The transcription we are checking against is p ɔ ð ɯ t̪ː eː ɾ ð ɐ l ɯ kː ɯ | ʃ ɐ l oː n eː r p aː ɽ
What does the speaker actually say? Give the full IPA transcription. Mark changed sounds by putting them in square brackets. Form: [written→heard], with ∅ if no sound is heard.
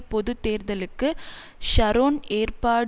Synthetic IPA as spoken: p ɔ ð ɯ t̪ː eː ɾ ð ɐ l ɯ kː ɯ | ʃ ɐ [l→ɾ] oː n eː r p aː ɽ